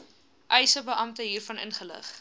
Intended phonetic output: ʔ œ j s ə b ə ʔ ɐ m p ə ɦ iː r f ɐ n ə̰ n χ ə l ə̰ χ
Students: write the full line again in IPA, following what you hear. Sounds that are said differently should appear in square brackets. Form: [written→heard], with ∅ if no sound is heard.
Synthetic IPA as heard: ʔ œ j s ə b ə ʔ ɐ m [p→t] ə ɦ iː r f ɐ n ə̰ n χ ə l ə̰ χ